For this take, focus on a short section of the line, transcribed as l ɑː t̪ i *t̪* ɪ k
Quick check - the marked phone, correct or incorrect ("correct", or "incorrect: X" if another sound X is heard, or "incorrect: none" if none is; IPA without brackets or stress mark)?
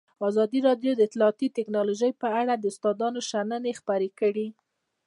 correct